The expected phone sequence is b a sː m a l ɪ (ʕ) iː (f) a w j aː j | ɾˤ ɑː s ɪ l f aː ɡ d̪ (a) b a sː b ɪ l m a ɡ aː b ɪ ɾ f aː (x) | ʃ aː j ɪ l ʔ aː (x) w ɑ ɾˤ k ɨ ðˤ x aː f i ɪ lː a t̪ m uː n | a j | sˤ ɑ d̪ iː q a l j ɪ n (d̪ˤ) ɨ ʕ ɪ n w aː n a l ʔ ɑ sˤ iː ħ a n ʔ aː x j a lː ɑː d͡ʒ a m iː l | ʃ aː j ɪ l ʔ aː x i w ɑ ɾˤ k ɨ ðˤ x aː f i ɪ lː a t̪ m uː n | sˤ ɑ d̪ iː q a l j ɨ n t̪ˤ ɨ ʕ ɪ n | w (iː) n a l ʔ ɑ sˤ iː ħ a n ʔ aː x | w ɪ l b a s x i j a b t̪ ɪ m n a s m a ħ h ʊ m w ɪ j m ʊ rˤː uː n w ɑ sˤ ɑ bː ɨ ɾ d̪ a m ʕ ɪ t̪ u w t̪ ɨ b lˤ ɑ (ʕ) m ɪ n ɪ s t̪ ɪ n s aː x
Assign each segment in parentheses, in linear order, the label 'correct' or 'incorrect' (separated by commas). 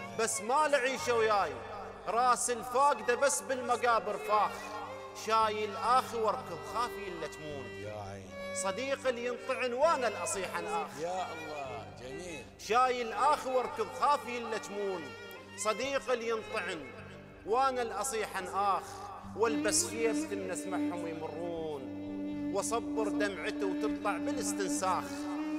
correct, incorrect, correct, correct, correct, incorrect, incorrect, correct